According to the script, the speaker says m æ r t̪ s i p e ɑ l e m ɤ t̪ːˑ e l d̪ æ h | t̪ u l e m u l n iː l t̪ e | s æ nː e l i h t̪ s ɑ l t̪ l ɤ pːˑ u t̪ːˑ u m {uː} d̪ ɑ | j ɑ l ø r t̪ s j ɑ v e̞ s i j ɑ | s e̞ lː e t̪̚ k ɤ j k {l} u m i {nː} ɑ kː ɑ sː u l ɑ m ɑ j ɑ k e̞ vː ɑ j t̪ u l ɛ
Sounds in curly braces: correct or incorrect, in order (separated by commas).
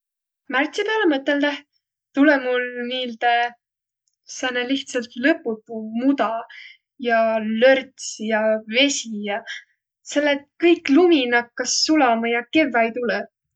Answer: incorrect, correct, incorrect